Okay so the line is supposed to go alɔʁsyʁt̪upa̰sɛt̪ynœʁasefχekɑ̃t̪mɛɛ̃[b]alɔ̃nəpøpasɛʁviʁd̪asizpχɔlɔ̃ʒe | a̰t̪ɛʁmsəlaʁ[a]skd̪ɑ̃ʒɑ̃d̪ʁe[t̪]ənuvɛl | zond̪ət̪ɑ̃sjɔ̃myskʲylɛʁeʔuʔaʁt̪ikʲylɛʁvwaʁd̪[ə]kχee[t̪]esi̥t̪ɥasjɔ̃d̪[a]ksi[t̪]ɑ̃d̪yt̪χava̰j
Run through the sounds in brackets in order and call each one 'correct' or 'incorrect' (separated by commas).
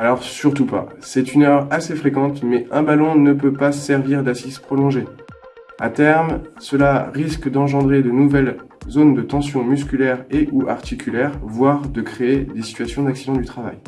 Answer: correct, incorrect, incorrect, correct, incorrect, correct, incorrect